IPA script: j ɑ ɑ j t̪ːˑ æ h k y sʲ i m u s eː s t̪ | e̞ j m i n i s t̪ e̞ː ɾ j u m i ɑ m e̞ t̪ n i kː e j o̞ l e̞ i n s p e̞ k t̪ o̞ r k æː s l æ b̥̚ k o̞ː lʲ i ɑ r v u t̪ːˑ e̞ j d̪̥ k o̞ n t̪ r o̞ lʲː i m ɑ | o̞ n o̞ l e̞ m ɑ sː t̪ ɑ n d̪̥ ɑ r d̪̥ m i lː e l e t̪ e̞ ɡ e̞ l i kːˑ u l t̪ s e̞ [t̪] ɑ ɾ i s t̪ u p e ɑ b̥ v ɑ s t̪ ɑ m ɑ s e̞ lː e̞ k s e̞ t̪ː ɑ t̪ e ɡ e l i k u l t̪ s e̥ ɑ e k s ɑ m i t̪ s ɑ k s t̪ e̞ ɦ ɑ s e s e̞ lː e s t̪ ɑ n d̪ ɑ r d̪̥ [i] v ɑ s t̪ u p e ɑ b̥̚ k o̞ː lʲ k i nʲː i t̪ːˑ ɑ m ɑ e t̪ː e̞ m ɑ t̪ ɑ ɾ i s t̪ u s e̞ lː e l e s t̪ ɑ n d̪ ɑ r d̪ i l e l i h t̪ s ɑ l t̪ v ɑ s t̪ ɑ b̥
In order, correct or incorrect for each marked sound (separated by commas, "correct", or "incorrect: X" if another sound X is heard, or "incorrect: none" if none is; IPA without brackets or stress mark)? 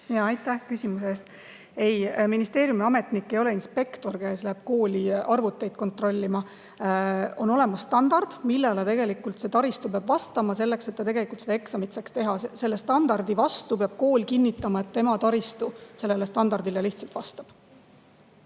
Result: correct, correct